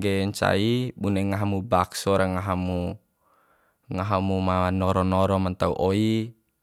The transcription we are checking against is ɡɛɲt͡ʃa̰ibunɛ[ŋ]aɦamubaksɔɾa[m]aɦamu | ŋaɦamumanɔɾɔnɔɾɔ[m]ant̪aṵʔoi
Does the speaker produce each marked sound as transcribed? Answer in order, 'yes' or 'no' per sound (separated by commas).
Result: yes, no, yes